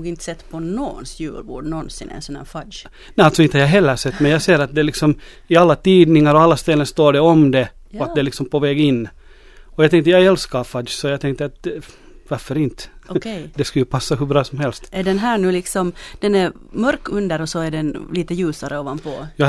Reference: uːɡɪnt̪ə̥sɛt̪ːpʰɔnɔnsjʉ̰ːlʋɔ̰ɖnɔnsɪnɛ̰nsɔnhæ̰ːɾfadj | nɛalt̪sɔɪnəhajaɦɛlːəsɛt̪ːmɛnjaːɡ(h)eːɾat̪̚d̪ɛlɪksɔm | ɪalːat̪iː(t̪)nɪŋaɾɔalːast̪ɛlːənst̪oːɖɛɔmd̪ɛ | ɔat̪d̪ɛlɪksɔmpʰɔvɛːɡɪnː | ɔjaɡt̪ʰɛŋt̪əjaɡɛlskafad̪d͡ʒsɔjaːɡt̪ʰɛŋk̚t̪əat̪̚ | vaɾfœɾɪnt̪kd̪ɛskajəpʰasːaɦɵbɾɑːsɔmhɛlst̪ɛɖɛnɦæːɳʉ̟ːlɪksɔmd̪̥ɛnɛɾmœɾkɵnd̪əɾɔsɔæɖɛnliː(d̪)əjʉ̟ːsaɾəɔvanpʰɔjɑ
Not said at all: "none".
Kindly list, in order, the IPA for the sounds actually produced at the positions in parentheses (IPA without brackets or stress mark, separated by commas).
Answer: s, d̪, t̪